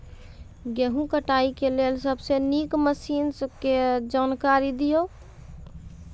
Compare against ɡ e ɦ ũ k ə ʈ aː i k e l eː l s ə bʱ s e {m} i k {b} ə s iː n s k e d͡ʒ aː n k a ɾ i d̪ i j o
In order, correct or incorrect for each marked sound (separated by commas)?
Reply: incorrect, incorrect